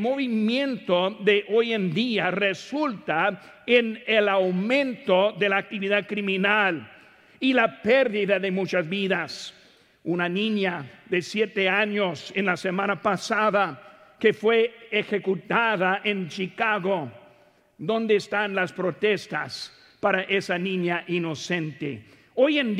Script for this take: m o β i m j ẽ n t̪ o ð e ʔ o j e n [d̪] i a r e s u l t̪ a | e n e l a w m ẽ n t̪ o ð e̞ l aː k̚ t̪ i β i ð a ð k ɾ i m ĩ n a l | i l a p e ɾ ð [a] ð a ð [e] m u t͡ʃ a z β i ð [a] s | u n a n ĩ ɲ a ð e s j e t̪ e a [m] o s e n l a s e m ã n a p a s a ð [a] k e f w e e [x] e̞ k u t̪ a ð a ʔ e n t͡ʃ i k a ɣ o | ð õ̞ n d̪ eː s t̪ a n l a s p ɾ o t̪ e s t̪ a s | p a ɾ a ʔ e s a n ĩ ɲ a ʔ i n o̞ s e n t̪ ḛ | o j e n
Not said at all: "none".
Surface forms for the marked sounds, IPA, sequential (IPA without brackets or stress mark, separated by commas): d̪, i, e, a, ɲ, a, x